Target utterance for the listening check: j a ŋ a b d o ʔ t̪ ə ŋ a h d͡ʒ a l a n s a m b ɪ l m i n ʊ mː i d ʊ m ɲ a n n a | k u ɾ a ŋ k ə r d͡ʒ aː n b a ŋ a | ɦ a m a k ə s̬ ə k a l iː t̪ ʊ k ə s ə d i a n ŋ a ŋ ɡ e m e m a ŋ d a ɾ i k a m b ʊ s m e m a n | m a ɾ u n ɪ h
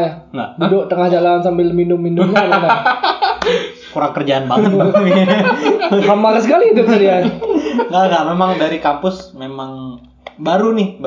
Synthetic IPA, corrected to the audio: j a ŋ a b d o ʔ t̪ ə ŋ a h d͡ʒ a l a n s a m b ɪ l m i n ʊ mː i n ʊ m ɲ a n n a | k u ɾ a ŋ k ə r d͡ʒ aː n b a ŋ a | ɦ a m a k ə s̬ ə k a l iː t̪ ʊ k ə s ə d i a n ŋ a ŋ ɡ a m e m a ŋ d a ɾ i k a m p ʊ s m e m a ŋ | b a ɾ u n ɪ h